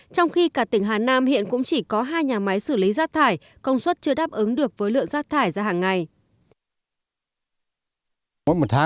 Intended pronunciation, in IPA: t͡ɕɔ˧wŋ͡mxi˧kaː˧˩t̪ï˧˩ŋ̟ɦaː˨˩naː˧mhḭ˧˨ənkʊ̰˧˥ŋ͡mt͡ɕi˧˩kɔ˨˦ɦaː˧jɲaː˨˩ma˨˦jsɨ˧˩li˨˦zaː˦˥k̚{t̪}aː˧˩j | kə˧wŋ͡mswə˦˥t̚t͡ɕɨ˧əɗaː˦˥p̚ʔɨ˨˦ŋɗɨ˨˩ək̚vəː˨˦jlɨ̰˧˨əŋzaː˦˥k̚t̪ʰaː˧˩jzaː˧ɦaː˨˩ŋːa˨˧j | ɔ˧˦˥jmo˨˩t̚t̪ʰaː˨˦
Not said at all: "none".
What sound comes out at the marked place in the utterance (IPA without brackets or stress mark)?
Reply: t̪ʰ